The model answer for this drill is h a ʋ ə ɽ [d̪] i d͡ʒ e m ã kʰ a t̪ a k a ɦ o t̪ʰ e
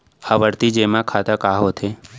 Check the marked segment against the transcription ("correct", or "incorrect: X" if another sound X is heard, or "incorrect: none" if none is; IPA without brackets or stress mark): incorrect: t̪